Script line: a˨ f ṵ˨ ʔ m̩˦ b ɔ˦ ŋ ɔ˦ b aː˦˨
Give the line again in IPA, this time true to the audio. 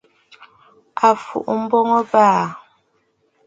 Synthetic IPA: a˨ f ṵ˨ ʔ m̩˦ b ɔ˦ ŋ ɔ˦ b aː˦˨